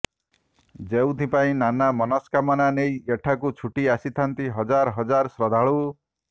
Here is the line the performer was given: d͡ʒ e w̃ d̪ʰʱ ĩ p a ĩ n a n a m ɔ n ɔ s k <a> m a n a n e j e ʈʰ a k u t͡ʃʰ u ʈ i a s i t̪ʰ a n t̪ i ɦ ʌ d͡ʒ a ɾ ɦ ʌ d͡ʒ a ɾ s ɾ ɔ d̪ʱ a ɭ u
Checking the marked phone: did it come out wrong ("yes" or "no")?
no